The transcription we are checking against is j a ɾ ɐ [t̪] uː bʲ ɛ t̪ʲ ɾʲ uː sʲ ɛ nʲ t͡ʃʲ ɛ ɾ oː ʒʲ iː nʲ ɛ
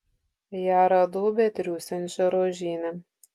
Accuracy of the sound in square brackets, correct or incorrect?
incorrect: d̪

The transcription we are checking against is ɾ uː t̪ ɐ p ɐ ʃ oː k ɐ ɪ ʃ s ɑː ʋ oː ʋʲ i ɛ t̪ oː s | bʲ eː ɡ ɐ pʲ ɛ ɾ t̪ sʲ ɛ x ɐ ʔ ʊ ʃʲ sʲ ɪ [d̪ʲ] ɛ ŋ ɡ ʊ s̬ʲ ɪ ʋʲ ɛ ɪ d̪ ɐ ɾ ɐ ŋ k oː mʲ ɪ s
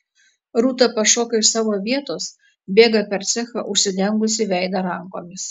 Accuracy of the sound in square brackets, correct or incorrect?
correct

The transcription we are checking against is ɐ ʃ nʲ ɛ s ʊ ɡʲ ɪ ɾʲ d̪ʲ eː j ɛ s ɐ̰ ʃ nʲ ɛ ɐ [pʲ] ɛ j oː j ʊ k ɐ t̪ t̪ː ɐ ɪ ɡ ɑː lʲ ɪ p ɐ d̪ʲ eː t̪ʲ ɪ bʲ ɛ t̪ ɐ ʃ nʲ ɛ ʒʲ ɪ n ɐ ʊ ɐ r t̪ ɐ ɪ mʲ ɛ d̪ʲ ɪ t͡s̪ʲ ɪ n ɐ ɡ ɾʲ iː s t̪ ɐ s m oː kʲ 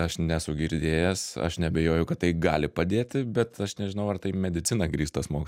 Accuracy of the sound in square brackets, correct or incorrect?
incorrect: bʲ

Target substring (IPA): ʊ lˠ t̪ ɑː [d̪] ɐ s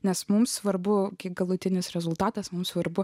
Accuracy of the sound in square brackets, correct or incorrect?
incorrect: t̪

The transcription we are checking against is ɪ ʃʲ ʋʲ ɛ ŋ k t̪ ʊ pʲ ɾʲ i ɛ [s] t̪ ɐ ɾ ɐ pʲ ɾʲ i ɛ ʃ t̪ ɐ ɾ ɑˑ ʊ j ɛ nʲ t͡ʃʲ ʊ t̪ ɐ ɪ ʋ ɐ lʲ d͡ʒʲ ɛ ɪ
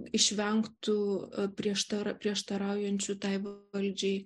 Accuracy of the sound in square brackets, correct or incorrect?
incorrect: ʃ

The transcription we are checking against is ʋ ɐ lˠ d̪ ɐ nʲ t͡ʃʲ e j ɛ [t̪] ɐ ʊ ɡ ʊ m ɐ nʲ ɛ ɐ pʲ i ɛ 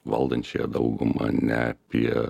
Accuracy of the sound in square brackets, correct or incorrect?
incorrect: d̪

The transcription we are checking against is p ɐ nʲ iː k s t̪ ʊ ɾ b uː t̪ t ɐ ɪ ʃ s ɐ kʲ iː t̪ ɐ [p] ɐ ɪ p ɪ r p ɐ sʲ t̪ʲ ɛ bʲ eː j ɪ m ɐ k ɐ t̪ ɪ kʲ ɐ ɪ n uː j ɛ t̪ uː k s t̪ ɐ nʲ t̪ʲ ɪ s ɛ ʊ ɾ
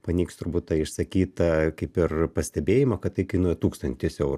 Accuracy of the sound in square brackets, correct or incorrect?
incorrect: k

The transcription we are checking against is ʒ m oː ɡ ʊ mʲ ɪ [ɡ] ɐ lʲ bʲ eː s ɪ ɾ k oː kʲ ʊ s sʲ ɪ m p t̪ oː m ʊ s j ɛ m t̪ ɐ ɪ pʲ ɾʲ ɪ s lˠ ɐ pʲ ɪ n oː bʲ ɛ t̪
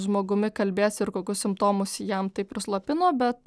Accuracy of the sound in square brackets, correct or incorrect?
incorrect: k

